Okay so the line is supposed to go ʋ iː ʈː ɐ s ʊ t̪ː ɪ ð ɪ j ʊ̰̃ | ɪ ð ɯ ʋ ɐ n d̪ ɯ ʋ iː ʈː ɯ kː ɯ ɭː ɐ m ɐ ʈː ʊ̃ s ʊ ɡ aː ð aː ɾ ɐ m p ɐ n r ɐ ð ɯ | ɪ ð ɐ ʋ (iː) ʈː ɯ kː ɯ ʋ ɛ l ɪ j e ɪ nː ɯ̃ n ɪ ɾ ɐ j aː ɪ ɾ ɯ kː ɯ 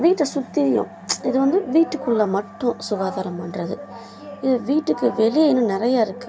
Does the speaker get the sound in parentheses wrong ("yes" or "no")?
no